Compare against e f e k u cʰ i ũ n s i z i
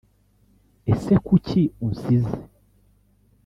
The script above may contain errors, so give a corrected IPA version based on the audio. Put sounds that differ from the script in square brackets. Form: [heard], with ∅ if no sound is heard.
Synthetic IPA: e [s] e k u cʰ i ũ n s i z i